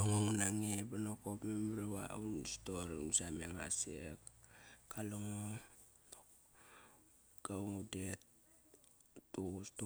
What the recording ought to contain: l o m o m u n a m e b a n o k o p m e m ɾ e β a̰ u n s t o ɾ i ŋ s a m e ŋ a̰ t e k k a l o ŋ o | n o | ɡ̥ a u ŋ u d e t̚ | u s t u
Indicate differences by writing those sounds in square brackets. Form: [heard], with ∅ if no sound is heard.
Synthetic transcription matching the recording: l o [ŋ] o [ŋ] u n a [ŋ] e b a n o k o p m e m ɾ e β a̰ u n s t o ɾ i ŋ s a m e ŋ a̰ [s] e k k a l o ŋ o | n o | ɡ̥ a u ŋ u d e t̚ | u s t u